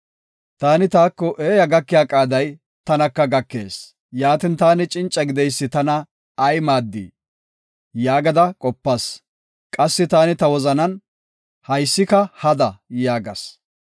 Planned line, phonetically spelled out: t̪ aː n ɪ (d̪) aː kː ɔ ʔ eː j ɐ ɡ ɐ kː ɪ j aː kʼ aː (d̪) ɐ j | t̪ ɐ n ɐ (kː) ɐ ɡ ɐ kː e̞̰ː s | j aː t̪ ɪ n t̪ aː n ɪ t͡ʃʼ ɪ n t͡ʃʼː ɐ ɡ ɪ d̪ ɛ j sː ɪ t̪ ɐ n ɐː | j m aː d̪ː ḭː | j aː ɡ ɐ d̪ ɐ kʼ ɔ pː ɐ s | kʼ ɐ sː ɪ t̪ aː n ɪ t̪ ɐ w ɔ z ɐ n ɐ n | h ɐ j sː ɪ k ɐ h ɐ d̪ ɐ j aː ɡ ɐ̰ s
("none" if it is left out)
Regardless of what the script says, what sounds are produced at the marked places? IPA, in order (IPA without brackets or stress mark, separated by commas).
t̪, d̪, kː